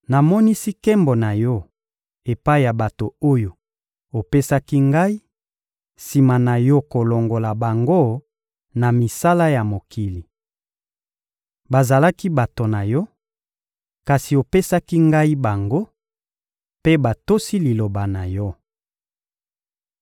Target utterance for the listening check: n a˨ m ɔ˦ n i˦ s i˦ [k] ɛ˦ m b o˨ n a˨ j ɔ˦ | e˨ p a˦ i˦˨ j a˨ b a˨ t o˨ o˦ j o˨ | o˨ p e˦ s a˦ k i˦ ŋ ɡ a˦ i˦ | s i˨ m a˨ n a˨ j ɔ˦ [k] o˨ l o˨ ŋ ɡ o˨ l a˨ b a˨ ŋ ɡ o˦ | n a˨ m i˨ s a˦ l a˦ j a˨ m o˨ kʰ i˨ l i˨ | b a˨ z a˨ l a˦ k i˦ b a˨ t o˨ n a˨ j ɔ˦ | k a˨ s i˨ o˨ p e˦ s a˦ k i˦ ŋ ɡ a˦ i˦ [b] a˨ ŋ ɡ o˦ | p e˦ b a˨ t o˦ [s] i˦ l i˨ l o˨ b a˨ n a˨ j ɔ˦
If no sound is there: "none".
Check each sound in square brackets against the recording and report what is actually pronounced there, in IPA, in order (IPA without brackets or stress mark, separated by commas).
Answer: k, k, b, s